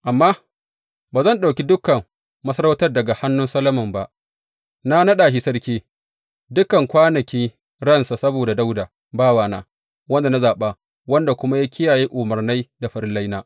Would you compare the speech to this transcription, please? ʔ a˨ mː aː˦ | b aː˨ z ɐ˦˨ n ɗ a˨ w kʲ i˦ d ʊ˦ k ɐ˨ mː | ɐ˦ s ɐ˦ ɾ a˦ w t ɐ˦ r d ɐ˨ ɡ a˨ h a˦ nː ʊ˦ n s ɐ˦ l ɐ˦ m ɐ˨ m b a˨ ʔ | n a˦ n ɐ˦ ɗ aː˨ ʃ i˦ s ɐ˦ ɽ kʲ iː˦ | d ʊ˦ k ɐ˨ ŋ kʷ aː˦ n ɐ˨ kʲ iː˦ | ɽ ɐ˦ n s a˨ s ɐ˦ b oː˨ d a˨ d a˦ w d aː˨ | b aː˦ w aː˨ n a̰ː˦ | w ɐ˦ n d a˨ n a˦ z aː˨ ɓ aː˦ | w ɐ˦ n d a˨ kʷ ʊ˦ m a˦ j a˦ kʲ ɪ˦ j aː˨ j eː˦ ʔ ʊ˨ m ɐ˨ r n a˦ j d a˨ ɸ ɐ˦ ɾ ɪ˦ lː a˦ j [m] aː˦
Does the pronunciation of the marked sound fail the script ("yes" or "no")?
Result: yes